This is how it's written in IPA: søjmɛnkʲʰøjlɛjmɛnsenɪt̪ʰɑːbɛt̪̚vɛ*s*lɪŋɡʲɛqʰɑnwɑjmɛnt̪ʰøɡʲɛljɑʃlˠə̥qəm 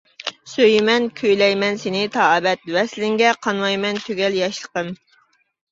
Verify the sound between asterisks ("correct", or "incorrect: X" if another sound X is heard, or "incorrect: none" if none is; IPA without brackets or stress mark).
correct